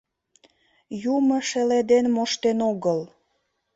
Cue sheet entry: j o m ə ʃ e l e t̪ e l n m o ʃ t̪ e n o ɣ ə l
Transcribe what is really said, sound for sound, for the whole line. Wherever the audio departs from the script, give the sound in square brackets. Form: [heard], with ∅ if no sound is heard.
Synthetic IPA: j [u] m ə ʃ e l e [d̪] e [∅] n m o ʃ t̪ e n o ɣ ə l